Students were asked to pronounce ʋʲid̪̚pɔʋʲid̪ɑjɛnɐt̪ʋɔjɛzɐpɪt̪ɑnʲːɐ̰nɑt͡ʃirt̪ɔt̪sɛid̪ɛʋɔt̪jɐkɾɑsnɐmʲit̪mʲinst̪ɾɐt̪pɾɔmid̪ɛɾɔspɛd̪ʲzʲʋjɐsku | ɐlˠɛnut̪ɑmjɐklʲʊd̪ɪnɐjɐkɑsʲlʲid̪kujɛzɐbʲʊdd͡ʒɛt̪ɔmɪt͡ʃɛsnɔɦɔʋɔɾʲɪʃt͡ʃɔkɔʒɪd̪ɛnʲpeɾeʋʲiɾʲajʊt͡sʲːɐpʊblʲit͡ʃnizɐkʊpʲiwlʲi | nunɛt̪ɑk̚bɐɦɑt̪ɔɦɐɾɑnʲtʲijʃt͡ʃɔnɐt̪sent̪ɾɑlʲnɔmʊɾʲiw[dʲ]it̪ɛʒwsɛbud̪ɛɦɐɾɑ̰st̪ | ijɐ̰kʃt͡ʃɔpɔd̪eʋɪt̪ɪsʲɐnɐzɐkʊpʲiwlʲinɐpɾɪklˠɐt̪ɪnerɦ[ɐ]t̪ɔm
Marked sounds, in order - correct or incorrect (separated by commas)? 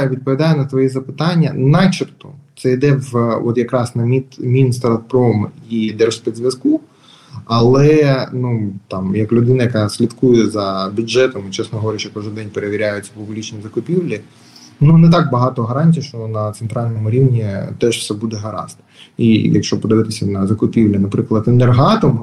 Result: incorrect, incorrect